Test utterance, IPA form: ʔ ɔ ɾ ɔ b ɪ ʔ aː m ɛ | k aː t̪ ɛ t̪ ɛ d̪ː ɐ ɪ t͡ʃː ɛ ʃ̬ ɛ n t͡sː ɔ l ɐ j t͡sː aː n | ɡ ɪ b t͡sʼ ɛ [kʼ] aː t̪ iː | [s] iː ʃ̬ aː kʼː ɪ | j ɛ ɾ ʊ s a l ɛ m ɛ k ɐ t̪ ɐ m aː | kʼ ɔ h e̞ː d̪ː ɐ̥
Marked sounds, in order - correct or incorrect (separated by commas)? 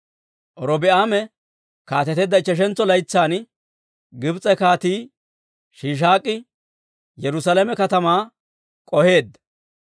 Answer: incorrect, incorrect